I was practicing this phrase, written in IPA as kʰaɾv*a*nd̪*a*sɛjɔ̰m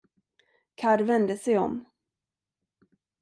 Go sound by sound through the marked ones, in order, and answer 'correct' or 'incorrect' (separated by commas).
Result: incorrect, incorrect